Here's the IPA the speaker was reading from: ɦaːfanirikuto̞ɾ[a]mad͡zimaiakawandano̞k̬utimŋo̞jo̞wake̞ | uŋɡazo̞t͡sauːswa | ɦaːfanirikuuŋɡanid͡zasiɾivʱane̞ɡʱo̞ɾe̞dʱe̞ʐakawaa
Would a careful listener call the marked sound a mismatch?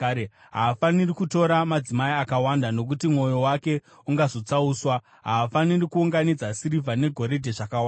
no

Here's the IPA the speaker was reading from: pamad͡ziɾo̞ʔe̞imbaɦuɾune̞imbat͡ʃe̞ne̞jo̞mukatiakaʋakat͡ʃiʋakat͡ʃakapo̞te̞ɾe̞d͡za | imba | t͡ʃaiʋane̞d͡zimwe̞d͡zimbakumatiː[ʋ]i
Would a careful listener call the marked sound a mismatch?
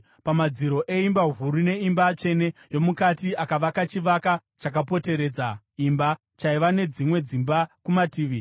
no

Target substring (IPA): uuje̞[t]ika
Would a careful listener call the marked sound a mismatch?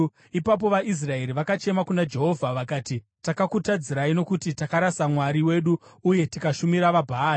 no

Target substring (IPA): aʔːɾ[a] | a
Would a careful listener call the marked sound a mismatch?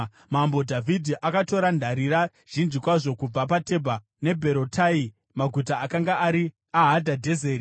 yes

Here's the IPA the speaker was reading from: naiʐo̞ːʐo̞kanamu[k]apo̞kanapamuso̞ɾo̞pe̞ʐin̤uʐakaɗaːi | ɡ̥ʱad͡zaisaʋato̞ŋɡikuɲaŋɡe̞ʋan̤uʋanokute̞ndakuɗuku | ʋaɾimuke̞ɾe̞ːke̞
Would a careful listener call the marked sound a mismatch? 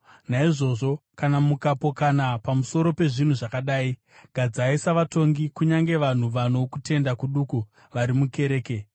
no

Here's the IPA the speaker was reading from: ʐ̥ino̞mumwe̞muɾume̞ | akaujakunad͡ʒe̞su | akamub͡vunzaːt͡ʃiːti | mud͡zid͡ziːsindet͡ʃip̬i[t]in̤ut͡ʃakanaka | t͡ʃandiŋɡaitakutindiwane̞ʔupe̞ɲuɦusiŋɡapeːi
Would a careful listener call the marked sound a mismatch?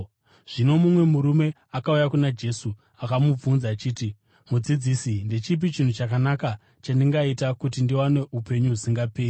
yes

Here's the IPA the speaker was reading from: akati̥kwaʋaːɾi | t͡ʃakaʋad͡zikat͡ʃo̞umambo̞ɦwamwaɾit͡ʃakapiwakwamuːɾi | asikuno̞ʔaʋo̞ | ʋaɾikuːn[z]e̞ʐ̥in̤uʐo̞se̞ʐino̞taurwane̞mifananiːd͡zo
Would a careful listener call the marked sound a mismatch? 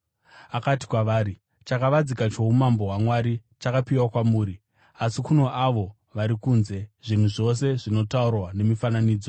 no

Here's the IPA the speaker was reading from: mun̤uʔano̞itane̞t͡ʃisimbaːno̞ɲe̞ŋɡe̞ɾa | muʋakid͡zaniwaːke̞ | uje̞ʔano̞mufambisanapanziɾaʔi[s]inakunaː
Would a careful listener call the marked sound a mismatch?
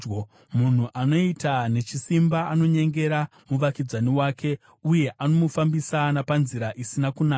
no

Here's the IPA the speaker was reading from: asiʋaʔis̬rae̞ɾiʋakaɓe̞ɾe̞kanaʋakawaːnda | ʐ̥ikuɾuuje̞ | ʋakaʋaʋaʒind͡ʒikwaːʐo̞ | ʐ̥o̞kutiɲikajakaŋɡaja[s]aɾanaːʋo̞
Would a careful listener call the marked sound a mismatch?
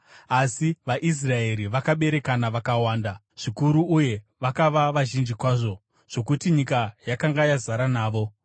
yes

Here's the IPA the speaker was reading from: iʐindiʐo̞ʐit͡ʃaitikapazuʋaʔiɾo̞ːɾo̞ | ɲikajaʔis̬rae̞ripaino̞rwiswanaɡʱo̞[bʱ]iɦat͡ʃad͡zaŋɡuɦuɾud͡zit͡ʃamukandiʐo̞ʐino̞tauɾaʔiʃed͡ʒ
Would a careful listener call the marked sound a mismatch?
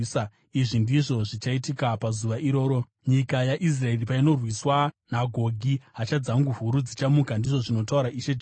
yes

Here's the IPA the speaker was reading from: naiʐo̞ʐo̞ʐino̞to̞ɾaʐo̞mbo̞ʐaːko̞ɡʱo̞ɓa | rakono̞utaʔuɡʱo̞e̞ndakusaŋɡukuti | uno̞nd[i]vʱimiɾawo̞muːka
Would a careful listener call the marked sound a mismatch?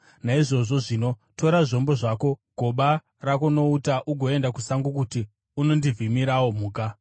no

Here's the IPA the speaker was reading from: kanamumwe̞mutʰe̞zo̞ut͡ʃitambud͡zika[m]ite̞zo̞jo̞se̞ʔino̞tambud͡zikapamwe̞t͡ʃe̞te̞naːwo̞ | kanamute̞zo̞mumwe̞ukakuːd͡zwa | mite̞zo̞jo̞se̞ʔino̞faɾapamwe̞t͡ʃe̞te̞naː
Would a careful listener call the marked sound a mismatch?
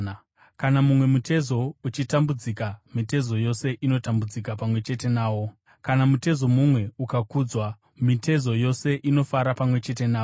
no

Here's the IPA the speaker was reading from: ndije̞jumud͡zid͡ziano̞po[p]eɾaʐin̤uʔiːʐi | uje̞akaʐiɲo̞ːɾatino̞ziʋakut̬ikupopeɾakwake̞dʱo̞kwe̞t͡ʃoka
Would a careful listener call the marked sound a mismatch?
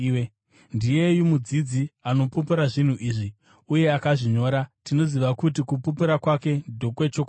no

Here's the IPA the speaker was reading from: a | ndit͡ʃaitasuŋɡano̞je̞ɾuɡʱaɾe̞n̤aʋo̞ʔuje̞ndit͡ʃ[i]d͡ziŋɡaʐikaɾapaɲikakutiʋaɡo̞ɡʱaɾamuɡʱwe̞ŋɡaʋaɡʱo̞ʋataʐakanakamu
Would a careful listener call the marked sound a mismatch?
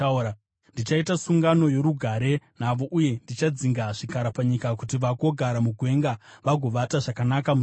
yes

